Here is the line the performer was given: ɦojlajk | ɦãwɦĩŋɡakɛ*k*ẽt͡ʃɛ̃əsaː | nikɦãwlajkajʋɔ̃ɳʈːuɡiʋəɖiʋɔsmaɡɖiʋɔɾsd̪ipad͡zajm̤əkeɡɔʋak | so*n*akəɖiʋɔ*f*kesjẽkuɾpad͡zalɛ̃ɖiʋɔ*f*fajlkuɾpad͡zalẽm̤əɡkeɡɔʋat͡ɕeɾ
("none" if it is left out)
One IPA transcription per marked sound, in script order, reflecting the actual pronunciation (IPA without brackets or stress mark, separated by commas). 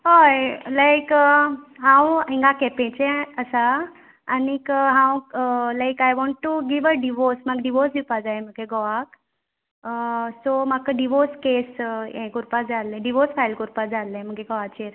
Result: p, m, s, s